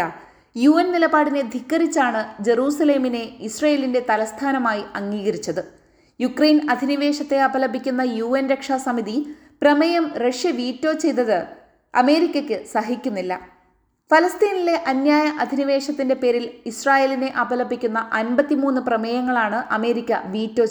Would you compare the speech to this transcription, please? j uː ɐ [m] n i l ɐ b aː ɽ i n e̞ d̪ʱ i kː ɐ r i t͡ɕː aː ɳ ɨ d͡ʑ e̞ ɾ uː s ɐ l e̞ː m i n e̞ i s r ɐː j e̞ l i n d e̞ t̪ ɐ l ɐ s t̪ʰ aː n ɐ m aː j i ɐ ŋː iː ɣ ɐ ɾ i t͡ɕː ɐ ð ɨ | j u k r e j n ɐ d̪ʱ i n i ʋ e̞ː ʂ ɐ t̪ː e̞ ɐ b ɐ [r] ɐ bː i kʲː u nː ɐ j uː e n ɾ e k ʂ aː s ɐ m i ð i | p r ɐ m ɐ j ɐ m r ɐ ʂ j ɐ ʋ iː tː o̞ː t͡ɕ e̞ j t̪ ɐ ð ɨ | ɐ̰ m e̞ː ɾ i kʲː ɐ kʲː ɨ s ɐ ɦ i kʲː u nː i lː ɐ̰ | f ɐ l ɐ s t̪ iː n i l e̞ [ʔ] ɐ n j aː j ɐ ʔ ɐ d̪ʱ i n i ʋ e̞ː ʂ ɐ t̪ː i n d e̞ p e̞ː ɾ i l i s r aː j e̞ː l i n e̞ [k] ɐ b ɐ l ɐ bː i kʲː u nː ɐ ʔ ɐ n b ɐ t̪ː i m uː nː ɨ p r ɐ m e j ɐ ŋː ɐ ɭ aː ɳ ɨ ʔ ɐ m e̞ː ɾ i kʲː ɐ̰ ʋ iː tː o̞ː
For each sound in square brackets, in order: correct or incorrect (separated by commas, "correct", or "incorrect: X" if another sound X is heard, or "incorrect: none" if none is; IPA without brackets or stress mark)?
incorrect: n, incorrect: l, correct, incorrect: ʔ